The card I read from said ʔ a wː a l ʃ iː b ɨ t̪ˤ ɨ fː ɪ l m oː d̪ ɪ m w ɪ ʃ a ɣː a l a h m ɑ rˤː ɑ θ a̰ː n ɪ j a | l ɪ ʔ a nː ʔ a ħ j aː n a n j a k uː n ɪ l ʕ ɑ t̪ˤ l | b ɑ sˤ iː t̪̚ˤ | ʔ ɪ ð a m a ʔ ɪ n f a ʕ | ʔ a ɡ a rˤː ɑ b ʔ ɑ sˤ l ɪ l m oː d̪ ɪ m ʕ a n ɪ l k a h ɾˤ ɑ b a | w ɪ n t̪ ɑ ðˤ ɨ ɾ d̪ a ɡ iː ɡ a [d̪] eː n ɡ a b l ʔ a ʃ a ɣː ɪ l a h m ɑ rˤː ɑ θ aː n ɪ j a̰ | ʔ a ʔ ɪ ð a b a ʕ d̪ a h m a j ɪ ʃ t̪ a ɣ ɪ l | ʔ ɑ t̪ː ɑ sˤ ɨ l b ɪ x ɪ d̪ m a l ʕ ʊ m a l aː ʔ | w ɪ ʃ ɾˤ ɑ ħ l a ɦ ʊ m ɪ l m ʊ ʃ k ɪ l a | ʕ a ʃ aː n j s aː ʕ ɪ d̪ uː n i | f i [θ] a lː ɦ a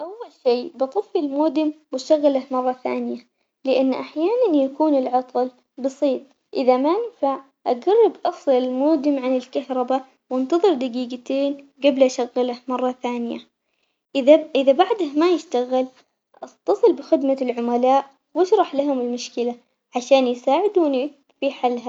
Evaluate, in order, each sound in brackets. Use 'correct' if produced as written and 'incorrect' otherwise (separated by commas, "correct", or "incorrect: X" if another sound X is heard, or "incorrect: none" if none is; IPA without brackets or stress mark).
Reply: incorrect: t̪, incorrect: ħ